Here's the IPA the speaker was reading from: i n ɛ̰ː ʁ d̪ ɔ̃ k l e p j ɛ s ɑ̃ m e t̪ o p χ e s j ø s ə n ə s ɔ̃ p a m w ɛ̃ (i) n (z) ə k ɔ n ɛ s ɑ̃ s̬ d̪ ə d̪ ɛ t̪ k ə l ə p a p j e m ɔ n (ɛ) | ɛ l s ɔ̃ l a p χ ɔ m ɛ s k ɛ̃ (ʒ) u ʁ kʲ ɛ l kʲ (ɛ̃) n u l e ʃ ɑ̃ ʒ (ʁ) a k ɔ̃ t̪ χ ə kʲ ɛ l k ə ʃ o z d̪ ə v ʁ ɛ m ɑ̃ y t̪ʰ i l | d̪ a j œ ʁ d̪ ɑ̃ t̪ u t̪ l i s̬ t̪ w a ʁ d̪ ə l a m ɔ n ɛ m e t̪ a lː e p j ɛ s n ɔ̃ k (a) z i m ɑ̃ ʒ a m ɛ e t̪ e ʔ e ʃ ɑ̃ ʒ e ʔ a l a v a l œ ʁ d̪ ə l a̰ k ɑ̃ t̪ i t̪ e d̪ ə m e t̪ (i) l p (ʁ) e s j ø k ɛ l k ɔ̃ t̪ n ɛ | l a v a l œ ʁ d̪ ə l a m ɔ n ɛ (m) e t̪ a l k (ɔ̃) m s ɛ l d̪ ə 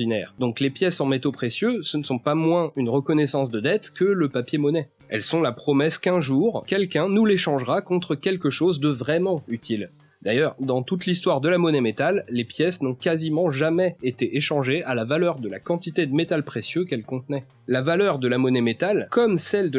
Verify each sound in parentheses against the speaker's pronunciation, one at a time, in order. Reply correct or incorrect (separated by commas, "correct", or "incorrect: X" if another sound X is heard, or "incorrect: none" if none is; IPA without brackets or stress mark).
incorrect: y, incorrect: ʁ, correct, correct, correct, correct, correct, incorrect: a, incorrect: χ, correct, incorrect: ɔ